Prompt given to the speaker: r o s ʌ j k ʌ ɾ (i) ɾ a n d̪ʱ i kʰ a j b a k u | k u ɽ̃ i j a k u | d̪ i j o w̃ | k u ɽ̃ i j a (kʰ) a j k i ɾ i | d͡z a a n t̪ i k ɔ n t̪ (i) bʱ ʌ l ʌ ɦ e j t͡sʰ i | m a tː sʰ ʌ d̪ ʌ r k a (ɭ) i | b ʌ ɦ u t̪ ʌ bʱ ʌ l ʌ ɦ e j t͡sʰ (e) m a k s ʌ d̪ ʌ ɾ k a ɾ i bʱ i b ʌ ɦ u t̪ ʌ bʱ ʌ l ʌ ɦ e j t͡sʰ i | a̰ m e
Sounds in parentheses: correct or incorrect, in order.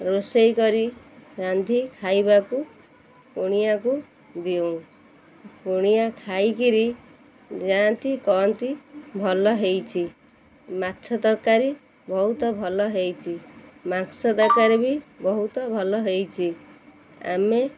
correct, correct, correct, incorrect, incorrect

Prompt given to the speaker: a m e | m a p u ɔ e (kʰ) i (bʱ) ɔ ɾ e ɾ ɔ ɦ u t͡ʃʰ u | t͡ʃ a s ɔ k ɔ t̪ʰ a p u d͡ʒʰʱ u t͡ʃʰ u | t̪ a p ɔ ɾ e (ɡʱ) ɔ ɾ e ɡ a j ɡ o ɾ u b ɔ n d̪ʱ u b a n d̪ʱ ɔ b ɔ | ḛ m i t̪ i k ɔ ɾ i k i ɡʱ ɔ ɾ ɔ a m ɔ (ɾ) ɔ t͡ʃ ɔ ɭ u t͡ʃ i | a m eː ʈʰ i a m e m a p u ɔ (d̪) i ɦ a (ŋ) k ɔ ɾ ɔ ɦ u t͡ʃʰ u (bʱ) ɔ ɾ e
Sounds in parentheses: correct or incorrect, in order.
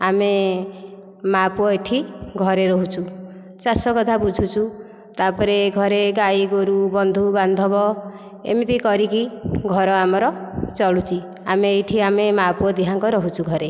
incorrect, incorrect, correct, correct, correct, correct, incorrect

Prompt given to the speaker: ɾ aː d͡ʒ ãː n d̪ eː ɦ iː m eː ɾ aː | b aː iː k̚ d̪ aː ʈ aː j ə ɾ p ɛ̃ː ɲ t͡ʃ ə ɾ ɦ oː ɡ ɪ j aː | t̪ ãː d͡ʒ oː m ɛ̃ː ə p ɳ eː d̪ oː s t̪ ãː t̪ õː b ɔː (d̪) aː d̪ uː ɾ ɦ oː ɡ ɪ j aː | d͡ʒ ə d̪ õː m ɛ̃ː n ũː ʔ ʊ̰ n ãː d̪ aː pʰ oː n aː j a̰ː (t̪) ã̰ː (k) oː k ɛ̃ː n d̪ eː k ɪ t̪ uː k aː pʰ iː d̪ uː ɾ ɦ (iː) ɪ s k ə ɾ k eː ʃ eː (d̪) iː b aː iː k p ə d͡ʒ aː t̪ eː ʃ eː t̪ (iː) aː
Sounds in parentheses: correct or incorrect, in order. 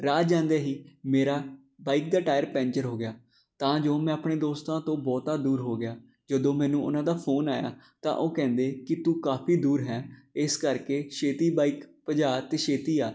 incorrect, correct, incorrect, incorrect, incorrect, correct

